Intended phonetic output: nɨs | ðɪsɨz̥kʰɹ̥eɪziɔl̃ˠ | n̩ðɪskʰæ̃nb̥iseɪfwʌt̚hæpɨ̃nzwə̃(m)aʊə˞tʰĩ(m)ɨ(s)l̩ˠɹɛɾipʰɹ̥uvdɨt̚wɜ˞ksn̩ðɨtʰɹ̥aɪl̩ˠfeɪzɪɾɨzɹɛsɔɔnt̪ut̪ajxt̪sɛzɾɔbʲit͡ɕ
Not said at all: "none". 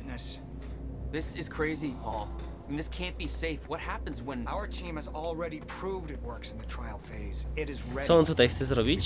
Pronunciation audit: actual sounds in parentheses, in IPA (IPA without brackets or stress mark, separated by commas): n, m, z